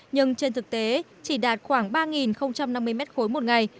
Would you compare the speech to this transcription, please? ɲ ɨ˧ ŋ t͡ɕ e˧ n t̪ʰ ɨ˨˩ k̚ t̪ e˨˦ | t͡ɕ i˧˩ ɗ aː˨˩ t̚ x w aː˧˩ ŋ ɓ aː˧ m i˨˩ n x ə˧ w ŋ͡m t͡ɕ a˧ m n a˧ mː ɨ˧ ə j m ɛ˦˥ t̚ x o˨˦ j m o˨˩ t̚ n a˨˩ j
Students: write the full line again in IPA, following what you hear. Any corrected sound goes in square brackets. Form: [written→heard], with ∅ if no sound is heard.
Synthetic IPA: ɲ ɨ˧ ŋ t͡ɕ e˧ n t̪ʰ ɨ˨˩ k̚ t̪ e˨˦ | t͡ɕ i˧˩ ɗ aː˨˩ t̚ x w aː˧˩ ŋ ɓ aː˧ [m→ŋ] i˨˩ n x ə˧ w ŋ͡m t͡ɕ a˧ m n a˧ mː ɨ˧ ə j m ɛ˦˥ t̚ x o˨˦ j m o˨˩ t̚ [n→ŋ] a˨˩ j